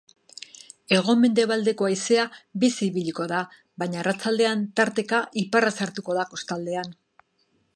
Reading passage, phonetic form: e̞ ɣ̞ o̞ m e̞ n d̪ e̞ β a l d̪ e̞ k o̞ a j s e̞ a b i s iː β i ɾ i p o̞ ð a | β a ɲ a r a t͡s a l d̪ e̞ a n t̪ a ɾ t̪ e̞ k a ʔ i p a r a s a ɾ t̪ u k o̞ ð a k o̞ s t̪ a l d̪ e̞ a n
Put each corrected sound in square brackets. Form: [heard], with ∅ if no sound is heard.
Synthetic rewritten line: e̞ ɣ̞ o̞ m e̞ n d̪ e̞ β a l d̪ e̞ k o̞ a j s e̞ a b i s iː β i [ʎ] i [k] o̞ ð a | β a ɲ a r a t͡s a l d̪ e̞ a n t̪ a ɾ t̪ e̞ k a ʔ i p a r a s a ɾ t̪ u k o̞ ð a k o̞ s t̪ a l d̪ e̞ a n